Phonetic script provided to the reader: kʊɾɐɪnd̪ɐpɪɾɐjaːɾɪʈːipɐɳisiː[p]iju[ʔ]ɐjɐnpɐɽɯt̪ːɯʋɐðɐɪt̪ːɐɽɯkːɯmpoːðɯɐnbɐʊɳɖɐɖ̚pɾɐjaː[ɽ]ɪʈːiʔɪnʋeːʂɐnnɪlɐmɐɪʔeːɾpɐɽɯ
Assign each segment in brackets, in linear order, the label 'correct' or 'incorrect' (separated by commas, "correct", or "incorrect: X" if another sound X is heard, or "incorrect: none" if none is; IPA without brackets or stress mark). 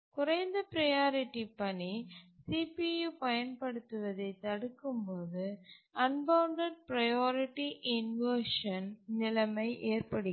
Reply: correct, incorrect: p, incorrect: ɾ